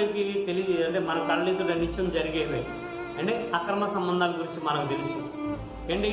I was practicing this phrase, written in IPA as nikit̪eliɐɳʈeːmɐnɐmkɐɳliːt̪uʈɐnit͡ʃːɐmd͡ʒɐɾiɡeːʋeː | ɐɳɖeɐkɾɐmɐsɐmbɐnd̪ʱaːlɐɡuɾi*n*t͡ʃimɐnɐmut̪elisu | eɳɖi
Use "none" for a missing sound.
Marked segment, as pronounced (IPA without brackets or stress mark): ɲ